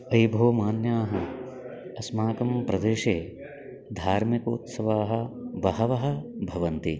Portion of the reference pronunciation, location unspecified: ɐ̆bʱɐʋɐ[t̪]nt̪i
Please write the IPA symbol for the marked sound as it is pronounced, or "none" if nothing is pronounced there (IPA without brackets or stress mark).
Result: none